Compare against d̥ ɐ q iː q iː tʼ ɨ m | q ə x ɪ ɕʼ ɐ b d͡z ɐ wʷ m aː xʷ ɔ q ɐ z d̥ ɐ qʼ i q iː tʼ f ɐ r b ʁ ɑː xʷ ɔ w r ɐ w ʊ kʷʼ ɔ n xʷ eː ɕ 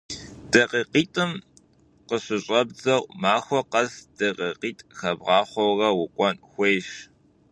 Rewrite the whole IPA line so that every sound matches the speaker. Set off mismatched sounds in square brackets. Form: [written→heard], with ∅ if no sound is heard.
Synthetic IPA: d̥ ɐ q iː q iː tʼ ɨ m | q ə [x→ɕ] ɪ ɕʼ ɐ b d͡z ɐ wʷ m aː xʷ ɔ q ɐ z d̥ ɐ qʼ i q iː tʼ [f→x] ɐ [r→∅] b ʁ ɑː [xʷ→χʷ] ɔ w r ɐ w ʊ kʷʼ ɔ n xʷ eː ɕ